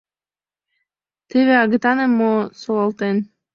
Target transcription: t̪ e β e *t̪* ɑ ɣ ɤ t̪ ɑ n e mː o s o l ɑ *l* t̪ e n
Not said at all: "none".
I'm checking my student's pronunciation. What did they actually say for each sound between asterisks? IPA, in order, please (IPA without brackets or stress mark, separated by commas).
none, l